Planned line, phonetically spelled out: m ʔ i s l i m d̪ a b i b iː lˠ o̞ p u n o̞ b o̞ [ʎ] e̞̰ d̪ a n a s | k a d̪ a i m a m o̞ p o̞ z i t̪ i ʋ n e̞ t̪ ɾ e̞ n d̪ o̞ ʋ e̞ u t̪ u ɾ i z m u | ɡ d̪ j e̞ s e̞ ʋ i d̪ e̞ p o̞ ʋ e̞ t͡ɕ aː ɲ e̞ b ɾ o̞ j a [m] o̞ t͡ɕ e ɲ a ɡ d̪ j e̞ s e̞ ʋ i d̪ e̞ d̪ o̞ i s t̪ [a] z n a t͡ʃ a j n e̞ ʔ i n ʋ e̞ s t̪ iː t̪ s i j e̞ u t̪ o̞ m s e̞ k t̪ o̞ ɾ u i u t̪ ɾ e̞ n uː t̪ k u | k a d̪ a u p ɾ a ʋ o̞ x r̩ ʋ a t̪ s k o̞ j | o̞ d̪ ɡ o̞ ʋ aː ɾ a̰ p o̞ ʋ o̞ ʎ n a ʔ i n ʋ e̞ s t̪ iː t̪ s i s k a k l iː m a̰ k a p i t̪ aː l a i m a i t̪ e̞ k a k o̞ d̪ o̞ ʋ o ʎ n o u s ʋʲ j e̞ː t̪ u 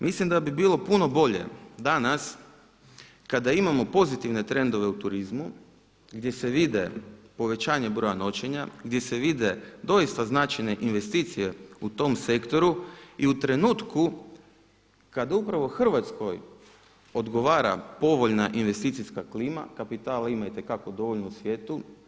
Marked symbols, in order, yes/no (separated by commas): yes, no, yes